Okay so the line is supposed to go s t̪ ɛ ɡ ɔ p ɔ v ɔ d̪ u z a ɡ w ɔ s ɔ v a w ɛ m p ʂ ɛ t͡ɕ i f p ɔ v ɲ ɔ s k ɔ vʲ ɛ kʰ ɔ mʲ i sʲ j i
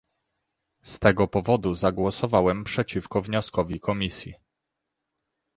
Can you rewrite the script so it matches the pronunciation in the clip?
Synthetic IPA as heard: s t̪ ɛ ɡ ɔ p ɔ v ɔ d̪ u z a ɡ w ɔ s ɔ v a w ɛ m p ʂ ɛ t͡ɕ i f k ɔ v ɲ ɔ s k ɔ vʲ i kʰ ɔ mʲ i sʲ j i